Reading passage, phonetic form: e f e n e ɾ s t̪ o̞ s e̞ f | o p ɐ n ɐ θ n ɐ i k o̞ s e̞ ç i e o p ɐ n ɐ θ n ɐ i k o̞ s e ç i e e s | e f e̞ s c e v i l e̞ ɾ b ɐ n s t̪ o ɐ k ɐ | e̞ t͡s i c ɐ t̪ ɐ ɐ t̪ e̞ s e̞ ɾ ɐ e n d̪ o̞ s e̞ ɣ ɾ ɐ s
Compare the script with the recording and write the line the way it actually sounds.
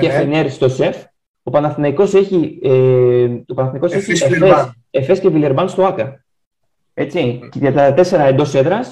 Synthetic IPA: e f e n e ɾ s t̪ o̞ s e̞ f | o p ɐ n ɐ θ n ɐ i k o̞ s e̞ ç i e o p ɐ n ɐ θ n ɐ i k o̞ s e ç i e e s | e f e̞ s c e v i l e̞ ɾ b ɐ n s t̪ o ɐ k ɐ | e̞ t͡s i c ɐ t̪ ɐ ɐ t̪ e̞ s e̞ ɾ ɐ e n d̪ o̞ s e̞ ð ɾ ɐ s